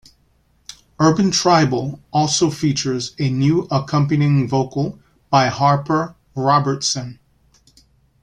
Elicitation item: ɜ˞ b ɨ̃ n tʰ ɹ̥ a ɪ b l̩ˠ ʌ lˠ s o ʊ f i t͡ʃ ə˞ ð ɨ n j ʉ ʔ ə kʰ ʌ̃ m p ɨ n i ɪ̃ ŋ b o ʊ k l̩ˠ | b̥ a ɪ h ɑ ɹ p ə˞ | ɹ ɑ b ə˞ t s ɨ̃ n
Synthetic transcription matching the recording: ɜ˞ b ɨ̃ n tʰ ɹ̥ a ɪ b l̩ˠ ɔ lˠ s o ʊ f i t͡ʃ ə˞ z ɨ n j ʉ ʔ ə kʰ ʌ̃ m p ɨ n i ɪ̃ ŋ v o ʊ k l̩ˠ | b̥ a ɪ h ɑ ɹ p ə˞ | ɹ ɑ b ə˞ t s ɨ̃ n